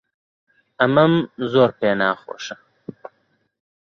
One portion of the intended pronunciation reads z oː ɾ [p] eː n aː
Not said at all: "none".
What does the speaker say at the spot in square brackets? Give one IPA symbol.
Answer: p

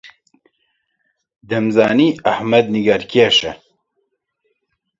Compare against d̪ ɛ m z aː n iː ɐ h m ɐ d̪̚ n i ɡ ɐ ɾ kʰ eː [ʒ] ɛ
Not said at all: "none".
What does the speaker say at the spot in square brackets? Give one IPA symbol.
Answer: ʃ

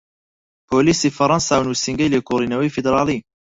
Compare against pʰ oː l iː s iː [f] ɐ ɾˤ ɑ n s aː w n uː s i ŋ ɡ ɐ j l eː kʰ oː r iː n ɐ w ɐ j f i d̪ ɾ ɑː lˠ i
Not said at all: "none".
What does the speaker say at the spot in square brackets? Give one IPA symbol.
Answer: f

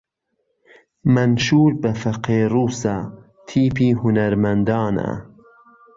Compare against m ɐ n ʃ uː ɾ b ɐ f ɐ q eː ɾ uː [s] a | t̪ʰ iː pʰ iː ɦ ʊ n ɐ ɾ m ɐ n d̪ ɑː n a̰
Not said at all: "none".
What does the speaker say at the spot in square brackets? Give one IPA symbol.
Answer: s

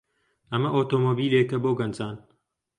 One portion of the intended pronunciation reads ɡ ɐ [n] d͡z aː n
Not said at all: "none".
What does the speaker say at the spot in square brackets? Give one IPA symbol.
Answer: n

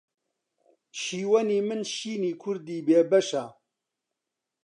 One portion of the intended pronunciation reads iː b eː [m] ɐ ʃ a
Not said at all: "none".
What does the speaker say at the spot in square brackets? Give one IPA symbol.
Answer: b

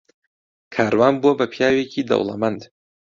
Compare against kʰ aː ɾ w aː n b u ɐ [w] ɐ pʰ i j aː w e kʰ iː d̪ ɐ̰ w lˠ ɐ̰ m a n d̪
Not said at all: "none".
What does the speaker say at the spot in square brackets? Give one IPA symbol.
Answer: b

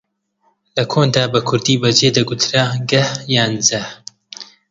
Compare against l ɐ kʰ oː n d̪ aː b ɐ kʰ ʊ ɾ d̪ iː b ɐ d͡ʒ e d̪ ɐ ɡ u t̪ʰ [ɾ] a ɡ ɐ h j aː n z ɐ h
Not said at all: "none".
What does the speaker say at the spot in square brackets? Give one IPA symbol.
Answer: ɾ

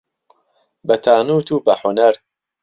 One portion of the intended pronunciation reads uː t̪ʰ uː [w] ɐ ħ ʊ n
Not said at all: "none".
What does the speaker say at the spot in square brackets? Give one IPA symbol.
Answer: b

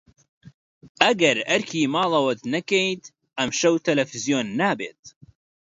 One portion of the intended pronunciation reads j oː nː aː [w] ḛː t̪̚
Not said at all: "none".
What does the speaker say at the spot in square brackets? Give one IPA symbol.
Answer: b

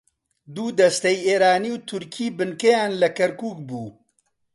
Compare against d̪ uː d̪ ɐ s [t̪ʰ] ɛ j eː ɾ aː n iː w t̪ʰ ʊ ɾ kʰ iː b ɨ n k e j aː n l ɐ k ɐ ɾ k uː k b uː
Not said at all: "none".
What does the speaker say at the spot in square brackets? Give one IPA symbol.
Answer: t̪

